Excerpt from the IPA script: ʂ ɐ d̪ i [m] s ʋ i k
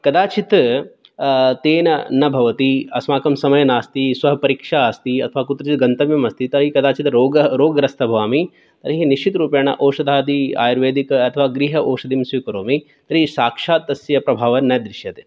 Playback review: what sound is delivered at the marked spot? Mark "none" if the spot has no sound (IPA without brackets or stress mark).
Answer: m